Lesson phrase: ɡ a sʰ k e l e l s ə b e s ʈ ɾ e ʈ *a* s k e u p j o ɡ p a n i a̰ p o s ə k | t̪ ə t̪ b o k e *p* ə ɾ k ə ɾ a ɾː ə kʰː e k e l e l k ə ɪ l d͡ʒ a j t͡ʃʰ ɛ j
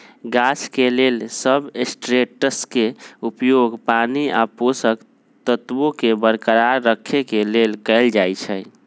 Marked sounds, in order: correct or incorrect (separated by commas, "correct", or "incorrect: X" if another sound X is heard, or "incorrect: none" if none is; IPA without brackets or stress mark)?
incorrect: ə, incorrect: b